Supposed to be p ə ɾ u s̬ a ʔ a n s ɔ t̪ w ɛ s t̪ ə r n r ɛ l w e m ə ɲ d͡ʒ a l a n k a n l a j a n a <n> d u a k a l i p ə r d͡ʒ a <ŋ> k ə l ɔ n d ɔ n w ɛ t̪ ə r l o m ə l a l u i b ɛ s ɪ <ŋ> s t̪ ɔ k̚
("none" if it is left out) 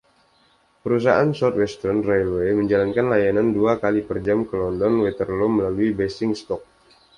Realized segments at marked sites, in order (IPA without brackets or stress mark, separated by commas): n, m, ŋ